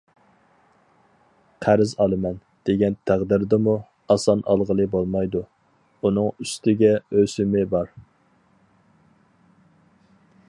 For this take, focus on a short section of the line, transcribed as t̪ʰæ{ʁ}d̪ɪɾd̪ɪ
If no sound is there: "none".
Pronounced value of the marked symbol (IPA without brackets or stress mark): ʁ